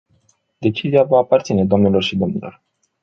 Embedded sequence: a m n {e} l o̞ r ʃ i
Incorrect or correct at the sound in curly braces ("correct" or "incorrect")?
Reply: correct